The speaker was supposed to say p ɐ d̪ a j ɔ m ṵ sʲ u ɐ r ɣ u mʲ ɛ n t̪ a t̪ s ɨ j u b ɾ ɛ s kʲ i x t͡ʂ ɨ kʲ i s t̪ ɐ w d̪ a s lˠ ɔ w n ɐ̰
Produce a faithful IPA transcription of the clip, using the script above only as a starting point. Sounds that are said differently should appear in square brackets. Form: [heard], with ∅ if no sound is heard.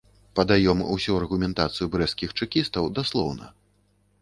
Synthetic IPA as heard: p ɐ d̪ a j ɔ m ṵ sʲ u ɐ r ɣ u mʲ ɛ n t̪ a t̪ s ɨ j u b ɾ ɛ s kʲ i x t͡ʂ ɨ kʲ i s t̪ ɐ w d̪ a s lˠ ɔ w n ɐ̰